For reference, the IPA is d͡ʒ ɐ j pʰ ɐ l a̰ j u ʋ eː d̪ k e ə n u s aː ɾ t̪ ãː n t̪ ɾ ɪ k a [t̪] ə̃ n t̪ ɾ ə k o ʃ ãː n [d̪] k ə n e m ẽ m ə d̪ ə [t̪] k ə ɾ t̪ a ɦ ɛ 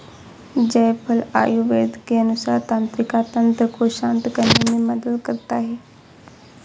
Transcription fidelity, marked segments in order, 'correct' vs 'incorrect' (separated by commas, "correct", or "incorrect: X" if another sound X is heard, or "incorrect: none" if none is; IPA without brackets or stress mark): correct, incorrect: t̪, incorrect: d̪